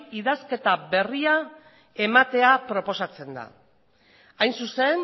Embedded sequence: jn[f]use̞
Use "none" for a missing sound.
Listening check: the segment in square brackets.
s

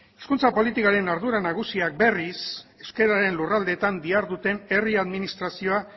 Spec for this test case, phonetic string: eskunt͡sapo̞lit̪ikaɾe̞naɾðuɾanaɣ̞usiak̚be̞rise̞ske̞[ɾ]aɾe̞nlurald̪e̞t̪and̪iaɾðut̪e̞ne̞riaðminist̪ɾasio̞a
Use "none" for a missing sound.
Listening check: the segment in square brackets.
ɾ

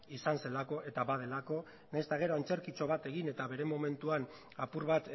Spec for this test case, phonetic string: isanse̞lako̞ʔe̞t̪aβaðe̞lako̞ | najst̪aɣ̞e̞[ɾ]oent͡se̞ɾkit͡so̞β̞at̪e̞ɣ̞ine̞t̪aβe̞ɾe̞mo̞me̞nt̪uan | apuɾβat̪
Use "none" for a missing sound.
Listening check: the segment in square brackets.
ɾ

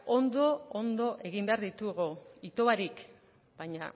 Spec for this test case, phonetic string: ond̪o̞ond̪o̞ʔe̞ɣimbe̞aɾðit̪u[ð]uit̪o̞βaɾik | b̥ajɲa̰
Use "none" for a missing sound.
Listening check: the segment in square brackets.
ɣ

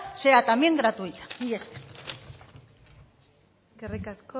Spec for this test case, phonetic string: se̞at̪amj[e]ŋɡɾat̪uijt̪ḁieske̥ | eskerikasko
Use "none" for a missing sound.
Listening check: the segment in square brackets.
e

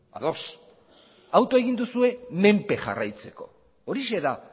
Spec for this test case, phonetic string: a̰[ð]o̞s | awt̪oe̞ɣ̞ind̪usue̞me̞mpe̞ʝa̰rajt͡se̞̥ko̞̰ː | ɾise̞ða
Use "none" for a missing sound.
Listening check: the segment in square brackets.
ð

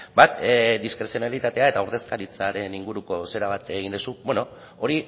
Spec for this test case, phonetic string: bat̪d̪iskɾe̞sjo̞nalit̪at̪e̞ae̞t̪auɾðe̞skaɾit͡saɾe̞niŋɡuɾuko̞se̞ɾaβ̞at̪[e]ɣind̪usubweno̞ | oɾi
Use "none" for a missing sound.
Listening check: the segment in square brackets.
e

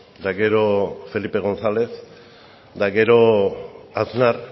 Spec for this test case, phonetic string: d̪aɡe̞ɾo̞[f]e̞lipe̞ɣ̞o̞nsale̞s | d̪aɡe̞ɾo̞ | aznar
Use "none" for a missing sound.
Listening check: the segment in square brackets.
f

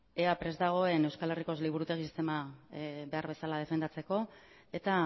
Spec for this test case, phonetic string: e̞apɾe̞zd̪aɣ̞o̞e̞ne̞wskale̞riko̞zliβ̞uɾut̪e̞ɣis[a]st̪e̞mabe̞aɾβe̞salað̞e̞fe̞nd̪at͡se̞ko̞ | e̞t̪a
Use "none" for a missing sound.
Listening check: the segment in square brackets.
i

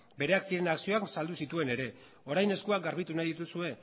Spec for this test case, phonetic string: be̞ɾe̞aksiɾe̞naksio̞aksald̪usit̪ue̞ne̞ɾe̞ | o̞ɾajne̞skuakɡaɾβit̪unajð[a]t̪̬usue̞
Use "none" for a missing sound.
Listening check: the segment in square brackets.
i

